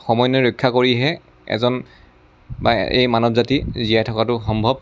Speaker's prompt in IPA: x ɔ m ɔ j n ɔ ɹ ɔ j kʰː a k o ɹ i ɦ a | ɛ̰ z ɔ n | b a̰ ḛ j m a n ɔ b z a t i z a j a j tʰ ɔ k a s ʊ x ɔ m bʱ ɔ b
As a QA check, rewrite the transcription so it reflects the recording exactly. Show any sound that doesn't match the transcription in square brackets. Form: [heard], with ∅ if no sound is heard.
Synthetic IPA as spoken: x ɔ m ɔ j n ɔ ɹ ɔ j kʰː a k o ɹ i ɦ [ɛ] | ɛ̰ z ɔ n | b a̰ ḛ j m a n ɔ b z a t i z [i] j a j tʰ ɔ k a [t] ʊ x ɔ m bʱ ɔ b